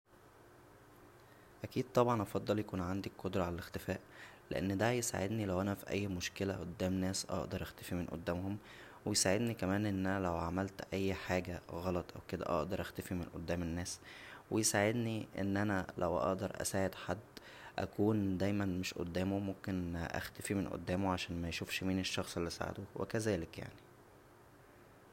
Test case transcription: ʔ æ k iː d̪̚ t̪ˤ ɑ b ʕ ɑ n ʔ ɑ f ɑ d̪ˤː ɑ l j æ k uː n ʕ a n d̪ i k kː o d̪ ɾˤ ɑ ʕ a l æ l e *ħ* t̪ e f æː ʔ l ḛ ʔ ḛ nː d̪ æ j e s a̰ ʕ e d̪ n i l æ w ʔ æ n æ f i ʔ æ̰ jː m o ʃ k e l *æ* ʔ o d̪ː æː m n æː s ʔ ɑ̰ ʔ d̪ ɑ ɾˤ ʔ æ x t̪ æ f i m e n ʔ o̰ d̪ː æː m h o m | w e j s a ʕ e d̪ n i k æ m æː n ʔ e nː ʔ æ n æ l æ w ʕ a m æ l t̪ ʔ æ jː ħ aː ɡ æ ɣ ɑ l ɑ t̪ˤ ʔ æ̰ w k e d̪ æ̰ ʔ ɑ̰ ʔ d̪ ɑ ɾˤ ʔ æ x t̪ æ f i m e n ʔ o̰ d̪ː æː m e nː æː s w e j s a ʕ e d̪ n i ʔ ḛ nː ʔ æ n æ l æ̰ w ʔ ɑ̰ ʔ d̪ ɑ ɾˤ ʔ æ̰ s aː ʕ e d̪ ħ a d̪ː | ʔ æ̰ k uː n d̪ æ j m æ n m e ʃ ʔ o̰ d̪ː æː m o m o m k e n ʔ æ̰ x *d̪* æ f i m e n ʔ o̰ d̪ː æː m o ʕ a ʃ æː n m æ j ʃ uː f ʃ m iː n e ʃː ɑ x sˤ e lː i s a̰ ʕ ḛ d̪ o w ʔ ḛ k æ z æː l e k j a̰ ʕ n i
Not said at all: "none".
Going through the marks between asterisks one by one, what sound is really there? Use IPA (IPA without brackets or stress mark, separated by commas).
x, æ, t̪